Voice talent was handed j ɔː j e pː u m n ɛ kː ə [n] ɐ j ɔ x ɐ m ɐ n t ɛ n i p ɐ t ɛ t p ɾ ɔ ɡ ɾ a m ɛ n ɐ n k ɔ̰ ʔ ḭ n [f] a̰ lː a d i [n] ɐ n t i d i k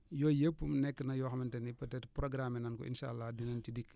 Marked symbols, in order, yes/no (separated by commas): yes, no, yes